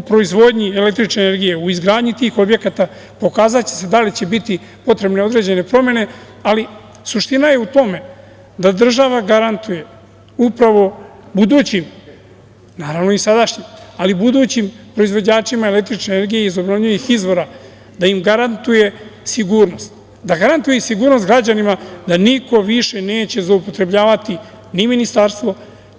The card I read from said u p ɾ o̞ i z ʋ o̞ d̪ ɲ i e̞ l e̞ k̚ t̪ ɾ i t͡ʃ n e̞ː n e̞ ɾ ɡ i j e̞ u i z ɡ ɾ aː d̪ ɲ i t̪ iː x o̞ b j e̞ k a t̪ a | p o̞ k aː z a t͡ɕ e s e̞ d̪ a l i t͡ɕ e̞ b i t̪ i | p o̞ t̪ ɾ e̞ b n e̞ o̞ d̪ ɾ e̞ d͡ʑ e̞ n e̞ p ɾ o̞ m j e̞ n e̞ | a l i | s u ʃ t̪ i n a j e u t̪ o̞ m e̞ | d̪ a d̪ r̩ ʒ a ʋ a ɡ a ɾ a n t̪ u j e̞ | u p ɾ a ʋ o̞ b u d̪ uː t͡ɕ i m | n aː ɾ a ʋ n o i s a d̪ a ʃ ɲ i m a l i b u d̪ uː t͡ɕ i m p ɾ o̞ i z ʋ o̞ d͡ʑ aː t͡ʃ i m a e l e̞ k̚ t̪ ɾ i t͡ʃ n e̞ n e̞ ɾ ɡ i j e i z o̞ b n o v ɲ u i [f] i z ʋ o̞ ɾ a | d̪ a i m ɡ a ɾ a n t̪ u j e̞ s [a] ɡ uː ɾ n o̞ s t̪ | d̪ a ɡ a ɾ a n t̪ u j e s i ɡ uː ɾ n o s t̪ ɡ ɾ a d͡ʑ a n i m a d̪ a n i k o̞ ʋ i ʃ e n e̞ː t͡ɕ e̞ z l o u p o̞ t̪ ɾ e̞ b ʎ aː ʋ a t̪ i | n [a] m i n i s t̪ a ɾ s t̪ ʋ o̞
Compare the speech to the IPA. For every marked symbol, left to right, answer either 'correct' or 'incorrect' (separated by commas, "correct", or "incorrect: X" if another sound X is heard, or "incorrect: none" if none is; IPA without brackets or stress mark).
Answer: incorrect: x, incorrect: i, incorrect: i